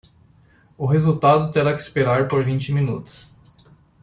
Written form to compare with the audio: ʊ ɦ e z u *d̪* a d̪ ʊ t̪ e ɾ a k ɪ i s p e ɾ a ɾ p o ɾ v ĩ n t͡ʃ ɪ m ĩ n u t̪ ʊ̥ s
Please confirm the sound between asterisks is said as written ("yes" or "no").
no